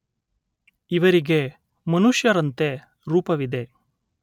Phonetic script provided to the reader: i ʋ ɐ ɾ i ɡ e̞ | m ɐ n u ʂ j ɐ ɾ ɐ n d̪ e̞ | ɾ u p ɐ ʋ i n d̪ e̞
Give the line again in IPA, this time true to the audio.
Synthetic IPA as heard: i ʋ ɐ ɾ i ɡ e̞ | m ɐ n u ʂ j ɐ ɾ ɐ n t̪ e̞ | ɾ uː p ɐ ʋ i d̪ e̞